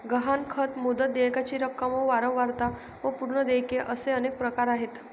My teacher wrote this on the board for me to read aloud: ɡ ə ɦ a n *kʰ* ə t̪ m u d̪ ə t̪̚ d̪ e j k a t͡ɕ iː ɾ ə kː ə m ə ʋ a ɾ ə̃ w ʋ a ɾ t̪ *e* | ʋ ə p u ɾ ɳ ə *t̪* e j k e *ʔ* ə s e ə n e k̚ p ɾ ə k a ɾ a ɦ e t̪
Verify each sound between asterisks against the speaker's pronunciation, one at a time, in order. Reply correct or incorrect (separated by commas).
correct, incorrect, incorrect, correct